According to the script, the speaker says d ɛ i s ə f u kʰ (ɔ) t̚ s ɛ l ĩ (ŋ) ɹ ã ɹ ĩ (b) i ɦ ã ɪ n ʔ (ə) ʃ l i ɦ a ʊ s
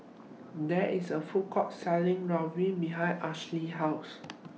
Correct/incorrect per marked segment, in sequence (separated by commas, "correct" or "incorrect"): correct, correct, correct, incorrect